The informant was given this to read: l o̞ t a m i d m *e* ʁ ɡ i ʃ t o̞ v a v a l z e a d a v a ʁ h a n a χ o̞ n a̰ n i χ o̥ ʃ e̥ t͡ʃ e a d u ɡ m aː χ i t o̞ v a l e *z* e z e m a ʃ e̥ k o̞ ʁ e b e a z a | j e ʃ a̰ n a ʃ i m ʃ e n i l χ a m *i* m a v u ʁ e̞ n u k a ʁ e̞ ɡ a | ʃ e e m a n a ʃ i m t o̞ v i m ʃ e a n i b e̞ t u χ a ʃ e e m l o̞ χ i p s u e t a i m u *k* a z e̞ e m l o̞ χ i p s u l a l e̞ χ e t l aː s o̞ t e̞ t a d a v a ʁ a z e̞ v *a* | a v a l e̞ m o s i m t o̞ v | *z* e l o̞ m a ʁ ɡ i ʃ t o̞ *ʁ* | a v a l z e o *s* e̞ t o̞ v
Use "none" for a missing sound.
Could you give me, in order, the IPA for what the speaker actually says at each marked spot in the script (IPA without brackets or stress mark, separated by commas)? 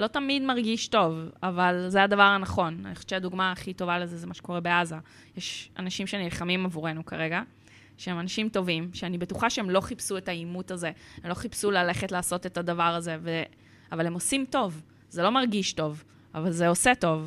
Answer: a, z, i, t, e, z, v, s